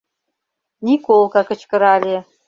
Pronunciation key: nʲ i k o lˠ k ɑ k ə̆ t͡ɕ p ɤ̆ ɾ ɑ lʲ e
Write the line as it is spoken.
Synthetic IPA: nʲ i k o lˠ k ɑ k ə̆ t͡ɕ k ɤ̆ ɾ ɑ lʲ e